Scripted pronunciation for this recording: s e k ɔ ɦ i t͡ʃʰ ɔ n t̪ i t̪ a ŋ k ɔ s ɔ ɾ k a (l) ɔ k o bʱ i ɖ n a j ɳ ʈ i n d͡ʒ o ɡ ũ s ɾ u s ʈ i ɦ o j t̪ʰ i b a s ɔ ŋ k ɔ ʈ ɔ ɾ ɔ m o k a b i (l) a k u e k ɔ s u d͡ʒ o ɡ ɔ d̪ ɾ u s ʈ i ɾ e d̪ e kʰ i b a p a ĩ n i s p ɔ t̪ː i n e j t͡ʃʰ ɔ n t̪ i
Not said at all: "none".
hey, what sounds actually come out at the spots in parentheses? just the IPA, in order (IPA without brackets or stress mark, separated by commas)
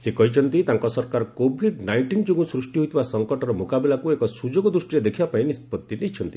ɾ, l